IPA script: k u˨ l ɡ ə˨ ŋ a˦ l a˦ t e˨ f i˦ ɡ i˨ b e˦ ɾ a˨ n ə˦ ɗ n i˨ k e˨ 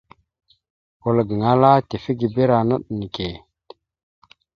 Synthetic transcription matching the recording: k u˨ l ɡ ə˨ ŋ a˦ l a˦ t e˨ f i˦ ɡ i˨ b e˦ ɾ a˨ n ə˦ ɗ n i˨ k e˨